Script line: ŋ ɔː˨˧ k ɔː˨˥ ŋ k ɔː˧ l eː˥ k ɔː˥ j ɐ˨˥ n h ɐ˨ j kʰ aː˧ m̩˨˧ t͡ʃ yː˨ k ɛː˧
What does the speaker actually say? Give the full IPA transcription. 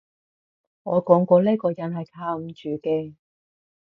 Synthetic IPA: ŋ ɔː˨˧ k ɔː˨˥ ŋ k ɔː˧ l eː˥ k ɔː˧ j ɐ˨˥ n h ɐ˨ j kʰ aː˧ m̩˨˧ t͡ʃ yː˨ k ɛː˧